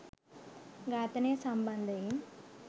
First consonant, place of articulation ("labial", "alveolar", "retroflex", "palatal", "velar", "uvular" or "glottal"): velar